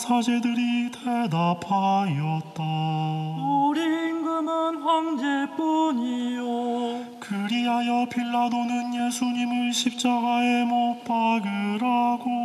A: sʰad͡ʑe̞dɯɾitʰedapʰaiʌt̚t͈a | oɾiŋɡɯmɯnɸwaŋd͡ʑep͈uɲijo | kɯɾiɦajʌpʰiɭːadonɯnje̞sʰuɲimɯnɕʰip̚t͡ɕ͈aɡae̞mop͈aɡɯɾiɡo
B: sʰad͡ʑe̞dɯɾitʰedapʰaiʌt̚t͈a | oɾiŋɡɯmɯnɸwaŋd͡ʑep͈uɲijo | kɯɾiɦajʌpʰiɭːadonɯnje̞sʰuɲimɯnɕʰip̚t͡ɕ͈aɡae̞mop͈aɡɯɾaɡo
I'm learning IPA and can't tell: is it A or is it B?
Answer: B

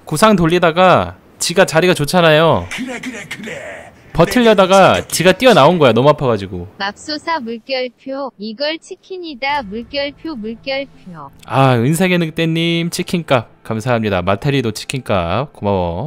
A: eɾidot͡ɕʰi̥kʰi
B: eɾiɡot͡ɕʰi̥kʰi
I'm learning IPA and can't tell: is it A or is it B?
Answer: A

